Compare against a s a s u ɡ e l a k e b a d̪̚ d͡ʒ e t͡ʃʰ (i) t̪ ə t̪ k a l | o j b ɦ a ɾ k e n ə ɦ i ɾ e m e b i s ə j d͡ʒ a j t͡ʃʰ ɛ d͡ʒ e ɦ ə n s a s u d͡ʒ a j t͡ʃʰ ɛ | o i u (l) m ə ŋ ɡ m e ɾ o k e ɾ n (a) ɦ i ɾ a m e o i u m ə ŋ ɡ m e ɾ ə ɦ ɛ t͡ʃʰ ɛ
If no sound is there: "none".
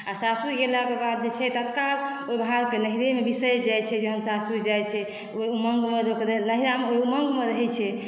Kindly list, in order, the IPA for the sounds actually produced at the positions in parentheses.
ɛ, none, ə

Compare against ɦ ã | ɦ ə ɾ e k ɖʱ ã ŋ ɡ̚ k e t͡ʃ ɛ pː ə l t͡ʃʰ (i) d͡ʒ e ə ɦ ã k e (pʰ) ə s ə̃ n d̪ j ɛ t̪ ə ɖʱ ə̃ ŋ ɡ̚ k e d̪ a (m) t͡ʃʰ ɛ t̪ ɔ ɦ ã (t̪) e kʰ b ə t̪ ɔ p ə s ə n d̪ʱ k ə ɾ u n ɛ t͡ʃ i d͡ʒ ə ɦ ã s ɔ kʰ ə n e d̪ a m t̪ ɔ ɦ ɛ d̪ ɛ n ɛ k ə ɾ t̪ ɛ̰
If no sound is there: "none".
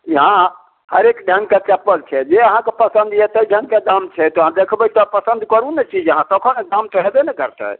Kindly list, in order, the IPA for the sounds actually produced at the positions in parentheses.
ɛ, p, m, d̪

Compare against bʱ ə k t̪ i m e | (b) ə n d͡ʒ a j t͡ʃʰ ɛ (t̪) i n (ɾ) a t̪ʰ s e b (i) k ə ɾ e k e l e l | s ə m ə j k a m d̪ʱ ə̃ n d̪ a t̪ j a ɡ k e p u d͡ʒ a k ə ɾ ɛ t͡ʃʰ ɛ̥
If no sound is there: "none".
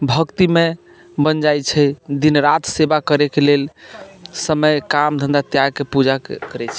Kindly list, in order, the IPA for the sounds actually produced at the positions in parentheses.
b, d̪, ɾ, a

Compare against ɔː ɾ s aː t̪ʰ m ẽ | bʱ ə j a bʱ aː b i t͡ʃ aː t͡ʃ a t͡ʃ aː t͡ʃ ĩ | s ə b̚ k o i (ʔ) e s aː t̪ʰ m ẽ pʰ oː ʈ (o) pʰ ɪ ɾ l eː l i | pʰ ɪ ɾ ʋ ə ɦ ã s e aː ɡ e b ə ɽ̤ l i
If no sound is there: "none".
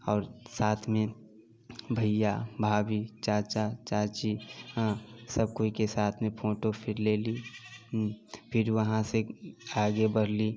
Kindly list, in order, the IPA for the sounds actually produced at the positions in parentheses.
k, o

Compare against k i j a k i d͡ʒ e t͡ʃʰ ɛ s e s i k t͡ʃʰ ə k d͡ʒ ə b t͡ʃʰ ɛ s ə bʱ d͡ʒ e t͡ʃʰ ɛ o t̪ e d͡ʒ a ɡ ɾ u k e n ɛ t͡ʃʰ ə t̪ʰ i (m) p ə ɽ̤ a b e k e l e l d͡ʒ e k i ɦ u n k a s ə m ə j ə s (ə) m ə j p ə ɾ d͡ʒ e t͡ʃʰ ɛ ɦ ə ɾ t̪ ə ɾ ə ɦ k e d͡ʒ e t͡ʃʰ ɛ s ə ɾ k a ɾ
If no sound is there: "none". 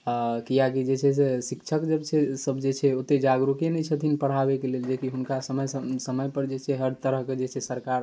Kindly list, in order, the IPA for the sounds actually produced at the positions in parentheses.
n, ə

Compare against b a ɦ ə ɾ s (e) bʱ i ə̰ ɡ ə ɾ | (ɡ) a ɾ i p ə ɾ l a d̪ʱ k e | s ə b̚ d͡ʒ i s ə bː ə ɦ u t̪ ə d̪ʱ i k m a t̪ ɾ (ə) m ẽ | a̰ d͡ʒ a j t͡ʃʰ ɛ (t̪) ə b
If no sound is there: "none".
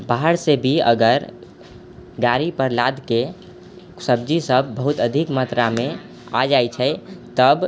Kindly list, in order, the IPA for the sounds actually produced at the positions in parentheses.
e, ɡ, a, t̪

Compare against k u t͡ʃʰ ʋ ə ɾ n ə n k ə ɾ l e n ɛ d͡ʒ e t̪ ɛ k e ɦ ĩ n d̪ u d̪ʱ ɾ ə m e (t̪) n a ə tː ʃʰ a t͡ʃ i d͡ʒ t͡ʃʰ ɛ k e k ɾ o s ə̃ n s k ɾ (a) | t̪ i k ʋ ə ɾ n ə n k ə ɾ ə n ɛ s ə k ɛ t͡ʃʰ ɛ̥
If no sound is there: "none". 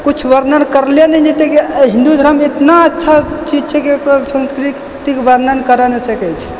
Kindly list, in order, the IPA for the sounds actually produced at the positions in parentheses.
t̪, i

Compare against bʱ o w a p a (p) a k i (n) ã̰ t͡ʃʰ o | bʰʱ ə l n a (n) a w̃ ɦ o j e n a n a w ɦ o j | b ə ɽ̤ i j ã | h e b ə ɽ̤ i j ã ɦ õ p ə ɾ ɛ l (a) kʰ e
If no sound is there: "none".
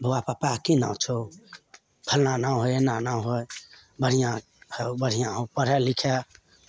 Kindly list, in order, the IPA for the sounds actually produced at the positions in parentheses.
p, n, n, i

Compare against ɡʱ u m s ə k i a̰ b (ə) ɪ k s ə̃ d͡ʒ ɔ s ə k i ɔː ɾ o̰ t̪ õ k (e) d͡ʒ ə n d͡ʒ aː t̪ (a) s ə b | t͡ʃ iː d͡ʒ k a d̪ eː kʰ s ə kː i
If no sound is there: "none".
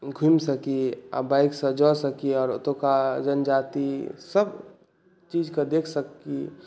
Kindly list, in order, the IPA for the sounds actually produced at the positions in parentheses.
a, a, i

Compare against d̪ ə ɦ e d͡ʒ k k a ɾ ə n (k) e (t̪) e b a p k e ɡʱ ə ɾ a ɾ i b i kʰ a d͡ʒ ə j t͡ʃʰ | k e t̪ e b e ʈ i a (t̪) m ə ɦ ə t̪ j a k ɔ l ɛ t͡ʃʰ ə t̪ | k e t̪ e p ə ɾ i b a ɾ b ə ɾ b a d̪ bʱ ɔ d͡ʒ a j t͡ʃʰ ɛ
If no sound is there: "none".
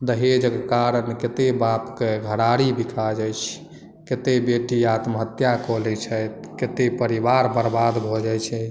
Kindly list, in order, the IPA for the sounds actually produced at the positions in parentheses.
k, t̪, t̪

